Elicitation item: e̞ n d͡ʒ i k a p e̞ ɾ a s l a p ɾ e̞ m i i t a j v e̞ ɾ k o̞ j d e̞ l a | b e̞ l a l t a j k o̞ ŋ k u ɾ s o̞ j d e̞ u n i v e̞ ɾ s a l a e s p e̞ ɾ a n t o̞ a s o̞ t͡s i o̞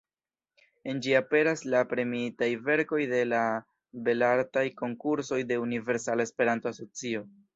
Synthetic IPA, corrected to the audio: e̞ n d͡ʒ i a p e̞ ɾ a s l a p ɾ e̞ m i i t a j v e̞ ɾ k o̞ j d e̞ l a | b e̞ l a ɾ t a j k o̞ ŋ k u ɾ s o̞ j d e̞ u n i v e̞ ɾ s a l a e s p e̞ ɾ a n t o̞ a s o̞ t͡s i o̞